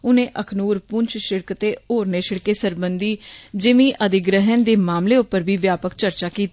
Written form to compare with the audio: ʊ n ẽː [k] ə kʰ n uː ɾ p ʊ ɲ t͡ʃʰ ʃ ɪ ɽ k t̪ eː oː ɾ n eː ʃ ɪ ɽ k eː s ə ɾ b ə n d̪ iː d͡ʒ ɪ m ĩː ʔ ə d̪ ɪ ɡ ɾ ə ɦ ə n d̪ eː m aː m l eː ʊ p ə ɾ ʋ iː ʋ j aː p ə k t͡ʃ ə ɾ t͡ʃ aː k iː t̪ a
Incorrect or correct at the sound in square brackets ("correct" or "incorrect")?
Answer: incorrect